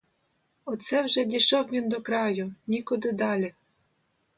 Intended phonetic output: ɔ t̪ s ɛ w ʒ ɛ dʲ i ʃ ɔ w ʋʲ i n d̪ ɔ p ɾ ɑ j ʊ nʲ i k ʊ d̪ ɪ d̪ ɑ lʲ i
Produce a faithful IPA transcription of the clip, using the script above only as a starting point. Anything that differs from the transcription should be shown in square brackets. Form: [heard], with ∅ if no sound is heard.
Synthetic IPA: ɔ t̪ s ɛ w ʒ ɛ dʲ i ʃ ɔ w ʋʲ i n d̪ ɔ [k] ɾ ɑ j ʊ nʲ i k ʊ d̪ ɪ d̪ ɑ lʲ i